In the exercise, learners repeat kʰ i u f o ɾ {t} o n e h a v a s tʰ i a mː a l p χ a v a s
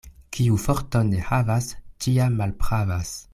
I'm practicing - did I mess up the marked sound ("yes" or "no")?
no